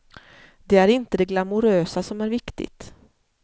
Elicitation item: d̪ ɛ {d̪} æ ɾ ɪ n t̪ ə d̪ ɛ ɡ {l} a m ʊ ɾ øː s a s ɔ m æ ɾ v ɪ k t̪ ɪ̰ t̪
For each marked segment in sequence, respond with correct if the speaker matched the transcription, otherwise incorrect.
incorrect: none, correct

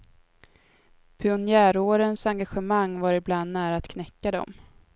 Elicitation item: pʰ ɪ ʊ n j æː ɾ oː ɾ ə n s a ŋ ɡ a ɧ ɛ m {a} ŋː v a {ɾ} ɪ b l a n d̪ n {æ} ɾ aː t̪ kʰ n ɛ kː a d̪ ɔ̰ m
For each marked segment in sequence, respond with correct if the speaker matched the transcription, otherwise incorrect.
correct, correct, incorrect: æː

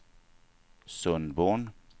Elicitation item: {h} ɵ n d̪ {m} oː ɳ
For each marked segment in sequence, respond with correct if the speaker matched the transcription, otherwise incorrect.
incorrect: s, incorrect: b

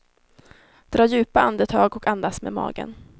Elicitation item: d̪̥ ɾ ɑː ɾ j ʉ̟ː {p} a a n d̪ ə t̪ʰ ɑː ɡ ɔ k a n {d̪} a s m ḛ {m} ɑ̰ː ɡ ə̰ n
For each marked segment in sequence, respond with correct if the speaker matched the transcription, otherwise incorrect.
correct, correct, correct

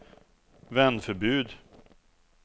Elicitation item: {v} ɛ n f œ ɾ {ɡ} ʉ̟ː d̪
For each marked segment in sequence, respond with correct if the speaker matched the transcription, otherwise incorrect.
correct, incorrect: b

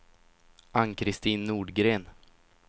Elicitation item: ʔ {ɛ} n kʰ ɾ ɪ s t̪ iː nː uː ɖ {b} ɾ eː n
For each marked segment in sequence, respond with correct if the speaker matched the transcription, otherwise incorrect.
incorrect: a, incorrect: ɡ

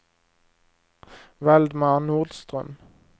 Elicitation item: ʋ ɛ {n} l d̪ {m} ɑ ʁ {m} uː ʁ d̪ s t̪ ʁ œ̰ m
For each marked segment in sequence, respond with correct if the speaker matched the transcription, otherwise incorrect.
incorrect: none, correct, incorrect: n

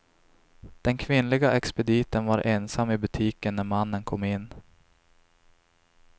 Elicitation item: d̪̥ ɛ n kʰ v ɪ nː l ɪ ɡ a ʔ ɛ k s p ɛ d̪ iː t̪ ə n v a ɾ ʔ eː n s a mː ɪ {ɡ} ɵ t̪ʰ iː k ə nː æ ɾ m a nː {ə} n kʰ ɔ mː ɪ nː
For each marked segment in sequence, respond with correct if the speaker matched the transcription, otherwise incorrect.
incorrect: b, correct

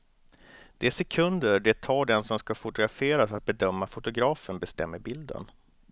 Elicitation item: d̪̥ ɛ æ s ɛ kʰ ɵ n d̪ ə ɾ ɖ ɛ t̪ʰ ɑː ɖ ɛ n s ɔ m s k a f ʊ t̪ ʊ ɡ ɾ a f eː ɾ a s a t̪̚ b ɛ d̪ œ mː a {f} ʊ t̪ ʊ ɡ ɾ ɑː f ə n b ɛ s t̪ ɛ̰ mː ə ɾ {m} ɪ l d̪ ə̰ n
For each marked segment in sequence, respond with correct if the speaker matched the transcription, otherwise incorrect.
correct, incorrect: b

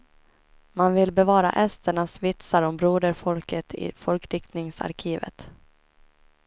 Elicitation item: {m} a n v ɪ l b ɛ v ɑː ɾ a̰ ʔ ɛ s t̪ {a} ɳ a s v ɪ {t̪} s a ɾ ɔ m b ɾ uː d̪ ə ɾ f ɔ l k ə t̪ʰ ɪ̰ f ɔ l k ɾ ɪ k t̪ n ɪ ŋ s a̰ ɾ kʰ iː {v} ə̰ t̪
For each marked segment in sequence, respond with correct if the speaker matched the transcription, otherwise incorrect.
correct, incorrect: ə, correct, correct

